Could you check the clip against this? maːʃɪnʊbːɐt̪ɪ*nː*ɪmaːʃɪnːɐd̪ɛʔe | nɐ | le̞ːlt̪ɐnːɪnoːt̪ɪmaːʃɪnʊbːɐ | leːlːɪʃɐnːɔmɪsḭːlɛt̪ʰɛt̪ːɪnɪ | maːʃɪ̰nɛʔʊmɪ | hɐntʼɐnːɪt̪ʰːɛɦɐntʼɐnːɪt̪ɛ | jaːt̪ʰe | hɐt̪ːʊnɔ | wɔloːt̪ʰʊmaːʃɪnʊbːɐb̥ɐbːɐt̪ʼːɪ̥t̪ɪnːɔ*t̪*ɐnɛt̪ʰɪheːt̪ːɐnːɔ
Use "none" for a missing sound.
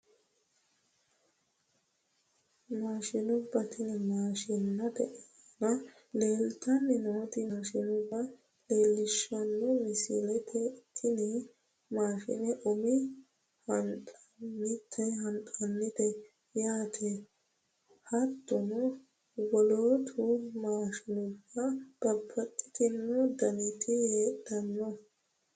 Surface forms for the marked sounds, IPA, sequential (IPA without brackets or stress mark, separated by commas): n, d̪